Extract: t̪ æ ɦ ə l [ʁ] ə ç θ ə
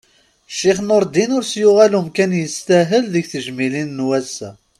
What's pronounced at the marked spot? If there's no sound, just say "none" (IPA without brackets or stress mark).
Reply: ð